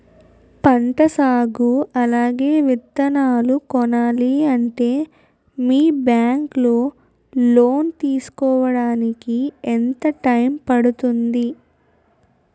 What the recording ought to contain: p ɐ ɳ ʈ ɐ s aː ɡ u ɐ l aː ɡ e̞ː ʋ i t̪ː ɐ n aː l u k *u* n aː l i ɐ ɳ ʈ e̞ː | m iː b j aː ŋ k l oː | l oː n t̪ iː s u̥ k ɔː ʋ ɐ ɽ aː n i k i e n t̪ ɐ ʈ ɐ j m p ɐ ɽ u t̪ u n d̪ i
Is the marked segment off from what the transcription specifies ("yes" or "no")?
yes